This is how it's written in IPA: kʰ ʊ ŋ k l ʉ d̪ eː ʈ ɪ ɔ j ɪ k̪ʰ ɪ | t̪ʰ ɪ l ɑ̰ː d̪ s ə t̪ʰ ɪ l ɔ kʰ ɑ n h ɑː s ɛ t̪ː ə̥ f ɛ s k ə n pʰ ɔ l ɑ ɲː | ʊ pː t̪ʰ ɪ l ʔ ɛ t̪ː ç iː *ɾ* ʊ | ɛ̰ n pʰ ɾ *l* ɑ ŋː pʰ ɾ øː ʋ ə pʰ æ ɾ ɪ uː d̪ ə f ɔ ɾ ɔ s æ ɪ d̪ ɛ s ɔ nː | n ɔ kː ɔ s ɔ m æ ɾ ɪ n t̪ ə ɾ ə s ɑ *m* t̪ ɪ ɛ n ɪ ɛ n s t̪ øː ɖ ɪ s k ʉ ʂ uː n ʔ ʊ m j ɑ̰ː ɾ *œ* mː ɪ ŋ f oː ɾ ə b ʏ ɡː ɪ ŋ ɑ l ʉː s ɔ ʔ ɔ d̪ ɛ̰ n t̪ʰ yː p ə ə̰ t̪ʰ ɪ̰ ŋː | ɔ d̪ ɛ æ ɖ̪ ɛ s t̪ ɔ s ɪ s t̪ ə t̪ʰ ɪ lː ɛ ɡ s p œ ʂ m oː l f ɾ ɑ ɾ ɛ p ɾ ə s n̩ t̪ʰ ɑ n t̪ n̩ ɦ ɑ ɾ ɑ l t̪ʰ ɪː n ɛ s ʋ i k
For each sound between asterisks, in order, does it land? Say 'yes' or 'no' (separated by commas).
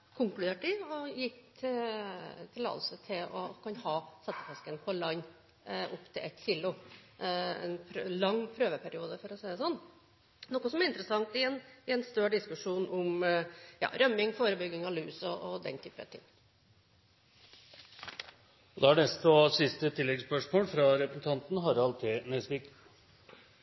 no, yes, no, yes